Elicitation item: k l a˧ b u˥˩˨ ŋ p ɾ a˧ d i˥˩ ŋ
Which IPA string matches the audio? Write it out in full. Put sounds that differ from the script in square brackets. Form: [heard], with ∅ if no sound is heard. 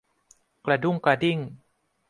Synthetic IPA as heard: k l a˧ [d] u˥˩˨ ŋ [k] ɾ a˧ d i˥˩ ŋ